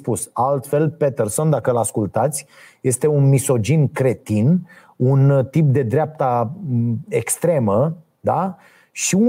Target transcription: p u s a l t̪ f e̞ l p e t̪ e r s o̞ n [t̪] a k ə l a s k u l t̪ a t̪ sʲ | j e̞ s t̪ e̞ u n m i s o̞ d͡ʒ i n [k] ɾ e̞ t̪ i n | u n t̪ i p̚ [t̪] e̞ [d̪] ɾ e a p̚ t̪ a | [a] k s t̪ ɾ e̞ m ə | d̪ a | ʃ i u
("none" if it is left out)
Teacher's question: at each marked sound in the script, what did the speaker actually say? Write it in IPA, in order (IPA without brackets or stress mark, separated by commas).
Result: d̪, k, d̪, d̪, e